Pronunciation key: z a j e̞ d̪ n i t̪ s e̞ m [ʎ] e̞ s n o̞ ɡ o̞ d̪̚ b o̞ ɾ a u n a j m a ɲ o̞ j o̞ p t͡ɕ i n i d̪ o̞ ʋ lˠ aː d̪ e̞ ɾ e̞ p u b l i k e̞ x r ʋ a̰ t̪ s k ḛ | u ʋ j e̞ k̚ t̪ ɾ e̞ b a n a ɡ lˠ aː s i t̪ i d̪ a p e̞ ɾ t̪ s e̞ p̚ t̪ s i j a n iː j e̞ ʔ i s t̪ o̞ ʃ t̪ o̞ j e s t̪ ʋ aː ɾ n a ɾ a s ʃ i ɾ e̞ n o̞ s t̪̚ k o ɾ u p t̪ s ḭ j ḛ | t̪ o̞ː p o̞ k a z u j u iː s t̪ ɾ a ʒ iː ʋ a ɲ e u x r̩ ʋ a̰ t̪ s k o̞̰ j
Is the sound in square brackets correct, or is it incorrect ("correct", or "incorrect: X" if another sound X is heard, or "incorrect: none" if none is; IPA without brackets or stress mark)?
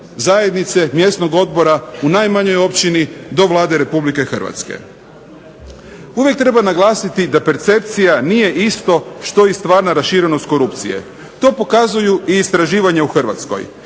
incorrect: j